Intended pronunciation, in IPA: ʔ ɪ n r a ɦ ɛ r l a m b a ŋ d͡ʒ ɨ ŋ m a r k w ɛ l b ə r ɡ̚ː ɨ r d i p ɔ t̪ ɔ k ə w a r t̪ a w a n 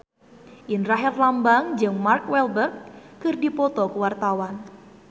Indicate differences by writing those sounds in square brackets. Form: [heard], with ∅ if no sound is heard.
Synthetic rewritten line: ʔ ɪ n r a ɦ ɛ r l a m b a ŋ d͡ʒ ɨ ŋ m a r k w ɛ l b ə r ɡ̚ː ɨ r d i p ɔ t̪ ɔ k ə w a r t̪ a w a n